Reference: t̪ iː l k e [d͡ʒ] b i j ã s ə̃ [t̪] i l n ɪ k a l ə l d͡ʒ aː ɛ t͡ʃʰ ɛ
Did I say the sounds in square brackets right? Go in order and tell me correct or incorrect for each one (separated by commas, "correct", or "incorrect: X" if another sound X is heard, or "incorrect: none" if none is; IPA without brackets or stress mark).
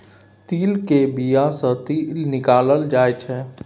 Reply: incorrect: none, correct